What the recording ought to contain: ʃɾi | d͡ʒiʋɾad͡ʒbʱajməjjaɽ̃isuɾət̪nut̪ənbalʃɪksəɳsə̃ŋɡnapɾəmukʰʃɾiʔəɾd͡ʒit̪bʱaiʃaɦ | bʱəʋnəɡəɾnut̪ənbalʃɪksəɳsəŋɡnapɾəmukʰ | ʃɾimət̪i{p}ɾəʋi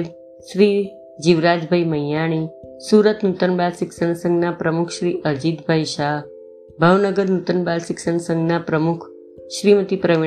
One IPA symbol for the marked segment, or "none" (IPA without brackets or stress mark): p